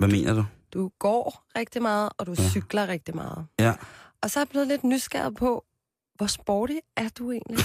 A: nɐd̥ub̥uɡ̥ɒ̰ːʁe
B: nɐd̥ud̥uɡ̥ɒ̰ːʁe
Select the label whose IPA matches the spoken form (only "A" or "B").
B